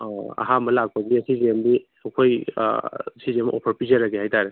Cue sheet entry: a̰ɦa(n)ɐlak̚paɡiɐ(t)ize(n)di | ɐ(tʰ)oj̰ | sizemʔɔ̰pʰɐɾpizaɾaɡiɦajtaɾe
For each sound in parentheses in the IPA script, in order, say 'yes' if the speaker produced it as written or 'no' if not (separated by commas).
no, no, no, no